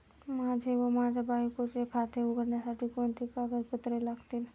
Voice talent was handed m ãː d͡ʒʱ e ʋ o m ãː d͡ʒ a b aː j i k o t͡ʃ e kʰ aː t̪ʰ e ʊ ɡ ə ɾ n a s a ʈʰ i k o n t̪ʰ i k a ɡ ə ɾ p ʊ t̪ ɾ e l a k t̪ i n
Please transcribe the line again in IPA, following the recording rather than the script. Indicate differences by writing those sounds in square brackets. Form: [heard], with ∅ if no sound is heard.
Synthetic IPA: m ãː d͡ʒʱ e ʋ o m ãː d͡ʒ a b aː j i k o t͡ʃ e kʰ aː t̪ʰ e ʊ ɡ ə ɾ n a s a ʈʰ i k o n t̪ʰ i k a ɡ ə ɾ p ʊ t̪ ɾ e l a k t̪ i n